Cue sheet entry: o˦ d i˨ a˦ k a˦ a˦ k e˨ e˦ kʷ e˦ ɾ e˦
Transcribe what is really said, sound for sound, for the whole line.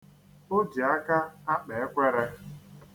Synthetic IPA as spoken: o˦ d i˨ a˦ k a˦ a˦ k͡p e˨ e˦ kʷ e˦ ɾ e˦